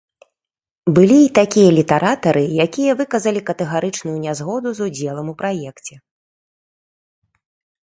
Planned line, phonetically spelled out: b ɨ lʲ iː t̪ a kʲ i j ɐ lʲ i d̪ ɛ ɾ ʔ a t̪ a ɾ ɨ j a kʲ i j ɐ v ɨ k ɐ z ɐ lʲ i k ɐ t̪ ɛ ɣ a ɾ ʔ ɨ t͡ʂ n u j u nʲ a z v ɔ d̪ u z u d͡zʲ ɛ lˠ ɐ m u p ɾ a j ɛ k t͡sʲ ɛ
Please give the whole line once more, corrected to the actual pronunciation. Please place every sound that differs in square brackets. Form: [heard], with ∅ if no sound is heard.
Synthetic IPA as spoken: b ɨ lʲ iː t̪ a kʲ i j ɐ lʲ i [t̪] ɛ ɾ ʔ a t̪ [ɐ] ɾ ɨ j a kʲ i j ɐ v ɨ k ɐ z ɐ lʲ i k ɐ t̪ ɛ ɣ a ɾ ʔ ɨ t͡ʂ n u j u nʲ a z [ɣ] ɔ d̪ u z u d͡zʲ ɛ lˠ ɐ m u p ɾ a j ɛ k t͡sʲ ɛ